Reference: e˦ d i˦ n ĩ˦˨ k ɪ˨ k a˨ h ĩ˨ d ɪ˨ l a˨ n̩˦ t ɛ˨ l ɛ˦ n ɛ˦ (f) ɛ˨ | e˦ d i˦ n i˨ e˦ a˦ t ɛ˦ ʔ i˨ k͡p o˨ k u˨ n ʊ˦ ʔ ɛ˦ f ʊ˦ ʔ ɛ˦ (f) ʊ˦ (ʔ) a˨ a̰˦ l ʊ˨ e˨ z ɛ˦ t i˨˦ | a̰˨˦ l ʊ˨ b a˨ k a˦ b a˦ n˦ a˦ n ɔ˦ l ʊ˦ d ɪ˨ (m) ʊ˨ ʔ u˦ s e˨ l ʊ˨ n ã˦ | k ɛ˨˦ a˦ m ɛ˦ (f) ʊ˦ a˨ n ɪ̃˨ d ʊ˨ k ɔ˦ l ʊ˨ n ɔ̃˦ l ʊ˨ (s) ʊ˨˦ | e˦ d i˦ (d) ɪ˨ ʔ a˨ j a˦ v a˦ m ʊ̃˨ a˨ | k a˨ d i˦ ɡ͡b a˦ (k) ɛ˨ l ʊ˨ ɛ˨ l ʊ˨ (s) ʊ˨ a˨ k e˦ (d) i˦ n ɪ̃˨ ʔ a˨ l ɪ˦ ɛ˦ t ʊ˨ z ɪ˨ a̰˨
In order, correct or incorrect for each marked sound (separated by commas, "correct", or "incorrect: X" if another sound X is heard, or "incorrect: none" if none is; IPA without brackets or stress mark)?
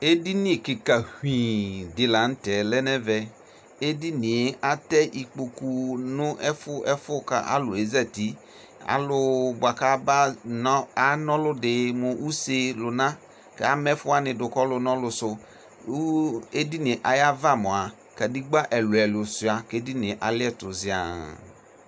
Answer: incorrect: v, correct, incorrect: k, correct, correct, correct, incorrect: n, incorrect: ʔ, correct, correct